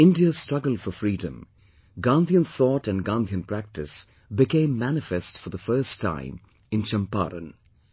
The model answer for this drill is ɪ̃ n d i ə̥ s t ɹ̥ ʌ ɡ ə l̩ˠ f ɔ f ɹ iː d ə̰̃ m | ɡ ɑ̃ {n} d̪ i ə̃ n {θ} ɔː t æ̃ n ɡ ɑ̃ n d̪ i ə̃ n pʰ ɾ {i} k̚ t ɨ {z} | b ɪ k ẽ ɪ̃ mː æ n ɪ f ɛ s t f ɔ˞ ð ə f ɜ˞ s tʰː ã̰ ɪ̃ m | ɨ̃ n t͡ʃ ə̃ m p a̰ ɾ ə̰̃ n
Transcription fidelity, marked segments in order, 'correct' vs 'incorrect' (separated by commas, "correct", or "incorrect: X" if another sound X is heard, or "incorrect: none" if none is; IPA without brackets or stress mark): correct, correct, incorrect: æ, incorrect: s